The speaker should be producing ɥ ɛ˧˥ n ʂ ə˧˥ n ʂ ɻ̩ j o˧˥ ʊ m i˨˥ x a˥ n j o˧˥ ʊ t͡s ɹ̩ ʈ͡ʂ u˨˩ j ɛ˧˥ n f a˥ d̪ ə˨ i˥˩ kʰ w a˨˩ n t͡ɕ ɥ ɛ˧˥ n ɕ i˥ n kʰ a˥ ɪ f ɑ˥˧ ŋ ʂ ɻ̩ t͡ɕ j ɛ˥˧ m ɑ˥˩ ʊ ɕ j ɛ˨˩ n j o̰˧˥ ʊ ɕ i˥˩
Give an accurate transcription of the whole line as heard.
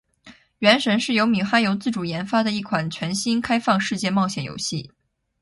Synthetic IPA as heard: ɥ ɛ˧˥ n ʂ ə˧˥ n ʂ ɻ̩ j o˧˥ ʊ m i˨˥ x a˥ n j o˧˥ ʊ t͡s ɹ̩ ʈ͡ʂ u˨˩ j ɛ˧˥ n f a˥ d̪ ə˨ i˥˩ kʰ w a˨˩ n t͡ɕʰ ɥ ɛ˧˥ n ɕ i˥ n kʰ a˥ ɪ f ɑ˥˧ ŋ ʂ ɻ̩ t͡ɕ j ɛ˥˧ m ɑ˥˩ ʊ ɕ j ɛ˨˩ n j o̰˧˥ ʊ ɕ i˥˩